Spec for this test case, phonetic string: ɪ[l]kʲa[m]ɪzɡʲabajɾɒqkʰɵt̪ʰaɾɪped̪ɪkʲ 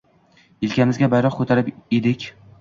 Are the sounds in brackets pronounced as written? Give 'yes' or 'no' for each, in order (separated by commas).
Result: yes, yes